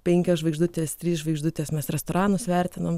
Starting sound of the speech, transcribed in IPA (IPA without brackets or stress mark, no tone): pʲ